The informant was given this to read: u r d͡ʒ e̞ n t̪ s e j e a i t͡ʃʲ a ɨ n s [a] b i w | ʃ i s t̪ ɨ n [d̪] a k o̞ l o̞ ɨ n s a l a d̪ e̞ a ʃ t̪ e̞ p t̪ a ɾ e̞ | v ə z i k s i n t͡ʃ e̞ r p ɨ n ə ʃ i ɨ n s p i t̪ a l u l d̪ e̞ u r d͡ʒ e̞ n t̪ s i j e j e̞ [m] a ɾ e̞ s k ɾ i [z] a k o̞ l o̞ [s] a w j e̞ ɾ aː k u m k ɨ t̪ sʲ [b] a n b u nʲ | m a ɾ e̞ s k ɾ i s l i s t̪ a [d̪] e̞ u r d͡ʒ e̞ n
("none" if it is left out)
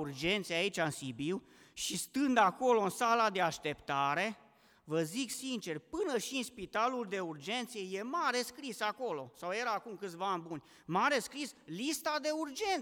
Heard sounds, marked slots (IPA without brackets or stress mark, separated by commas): i, d̪, m, s, s, v, d̪